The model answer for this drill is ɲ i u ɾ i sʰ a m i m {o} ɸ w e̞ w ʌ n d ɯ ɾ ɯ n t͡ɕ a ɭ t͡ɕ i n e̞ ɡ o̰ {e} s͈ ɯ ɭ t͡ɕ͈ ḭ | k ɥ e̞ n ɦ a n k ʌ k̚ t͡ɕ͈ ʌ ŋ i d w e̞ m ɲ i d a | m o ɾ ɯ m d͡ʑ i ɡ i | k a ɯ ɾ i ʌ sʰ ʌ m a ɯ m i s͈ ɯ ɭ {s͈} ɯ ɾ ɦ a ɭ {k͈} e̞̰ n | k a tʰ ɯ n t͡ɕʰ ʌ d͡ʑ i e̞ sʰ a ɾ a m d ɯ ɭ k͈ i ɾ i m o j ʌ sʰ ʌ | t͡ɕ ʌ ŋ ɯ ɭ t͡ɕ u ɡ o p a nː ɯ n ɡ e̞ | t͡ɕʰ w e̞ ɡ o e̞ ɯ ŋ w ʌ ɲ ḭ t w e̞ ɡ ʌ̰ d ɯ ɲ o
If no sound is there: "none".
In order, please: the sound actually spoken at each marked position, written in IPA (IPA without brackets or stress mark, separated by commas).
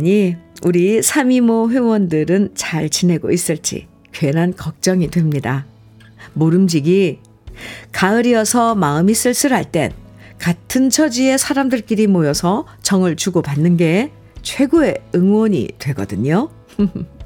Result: o, i, s͈, t͈